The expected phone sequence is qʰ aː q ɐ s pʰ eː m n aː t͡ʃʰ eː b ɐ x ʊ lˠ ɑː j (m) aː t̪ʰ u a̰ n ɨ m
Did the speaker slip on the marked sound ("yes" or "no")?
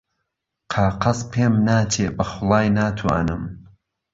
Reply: yes